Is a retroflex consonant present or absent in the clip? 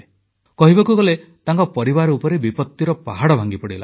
present